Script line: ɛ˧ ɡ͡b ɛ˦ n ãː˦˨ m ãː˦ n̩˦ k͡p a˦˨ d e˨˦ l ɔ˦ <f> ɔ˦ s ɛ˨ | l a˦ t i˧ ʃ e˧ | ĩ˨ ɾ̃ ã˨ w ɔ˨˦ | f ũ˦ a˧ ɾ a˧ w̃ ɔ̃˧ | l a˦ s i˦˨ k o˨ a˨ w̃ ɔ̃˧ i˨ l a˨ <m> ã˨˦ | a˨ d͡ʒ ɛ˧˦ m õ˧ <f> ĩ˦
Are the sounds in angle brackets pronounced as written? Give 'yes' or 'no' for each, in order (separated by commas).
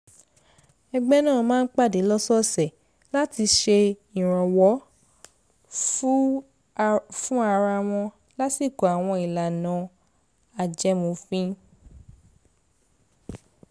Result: no, no, yes